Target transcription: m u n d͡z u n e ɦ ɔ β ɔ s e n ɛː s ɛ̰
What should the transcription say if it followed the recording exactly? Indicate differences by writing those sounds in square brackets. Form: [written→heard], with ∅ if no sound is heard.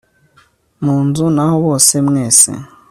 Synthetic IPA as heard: m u n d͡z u n [e→a] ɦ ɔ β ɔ s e [n→m] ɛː s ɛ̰